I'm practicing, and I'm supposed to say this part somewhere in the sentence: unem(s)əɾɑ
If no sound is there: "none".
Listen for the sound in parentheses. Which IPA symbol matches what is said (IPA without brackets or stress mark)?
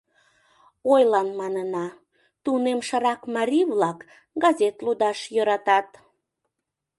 ʃ